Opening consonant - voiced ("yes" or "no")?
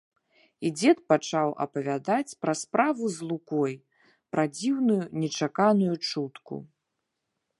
yes